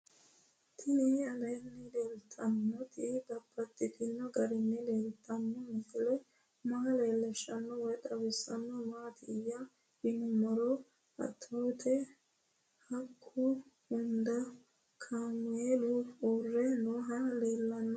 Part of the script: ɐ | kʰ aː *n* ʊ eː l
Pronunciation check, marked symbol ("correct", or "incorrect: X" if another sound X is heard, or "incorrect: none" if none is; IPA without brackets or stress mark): incorrect: m